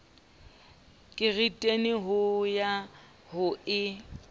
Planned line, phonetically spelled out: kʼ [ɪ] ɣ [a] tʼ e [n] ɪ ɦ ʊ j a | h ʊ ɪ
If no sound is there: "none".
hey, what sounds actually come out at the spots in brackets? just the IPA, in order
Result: ɪ, i, n

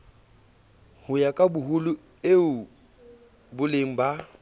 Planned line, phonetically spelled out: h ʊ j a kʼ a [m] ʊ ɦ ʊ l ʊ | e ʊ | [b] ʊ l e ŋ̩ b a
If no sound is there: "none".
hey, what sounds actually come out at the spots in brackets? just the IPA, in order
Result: b, b

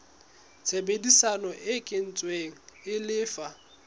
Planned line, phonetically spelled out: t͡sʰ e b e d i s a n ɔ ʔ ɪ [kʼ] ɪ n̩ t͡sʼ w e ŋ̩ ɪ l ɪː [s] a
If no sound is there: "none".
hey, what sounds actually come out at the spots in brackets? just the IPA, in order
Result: kʼ, f

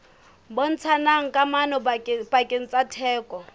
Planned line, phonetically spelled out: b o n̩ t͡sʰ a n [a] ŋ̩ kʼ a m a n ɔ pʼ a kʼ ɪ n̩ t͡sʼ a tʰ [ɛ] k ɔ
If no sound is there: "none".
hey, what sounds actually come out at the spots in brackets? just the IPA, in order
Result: a, ɛː

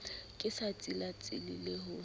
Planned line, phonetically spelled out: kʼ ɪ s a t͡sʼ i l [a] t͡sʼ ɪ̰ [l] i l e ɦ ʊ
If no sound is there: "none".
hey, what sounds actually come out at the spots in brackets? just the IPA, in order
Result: a, l

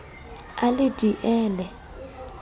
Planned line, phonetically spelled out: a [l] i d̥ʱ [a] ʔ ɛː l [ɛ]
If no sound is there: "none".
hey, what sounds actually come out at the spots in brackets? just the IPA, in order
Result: l, i, ɛ

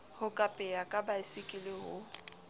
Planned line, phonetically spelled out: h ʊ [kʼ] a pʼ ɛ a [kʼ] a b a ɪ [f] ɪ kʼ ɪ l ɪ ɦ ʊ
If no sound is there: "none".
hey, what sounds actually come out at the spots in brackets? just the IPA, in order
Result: kʼ, kʼ, s

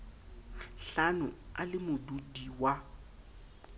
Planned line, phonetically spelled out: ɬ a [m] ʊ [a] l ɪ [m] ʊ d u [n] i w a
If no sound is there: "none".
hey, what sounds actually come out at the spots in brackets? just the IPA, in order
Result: n, a, m, d

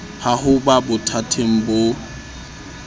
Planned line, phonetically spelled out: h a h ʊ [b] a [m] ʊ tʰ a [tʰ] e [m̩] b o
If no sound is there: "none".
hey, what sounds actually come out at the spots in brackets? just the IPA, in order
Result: b, b, tʰ, ŋ̩

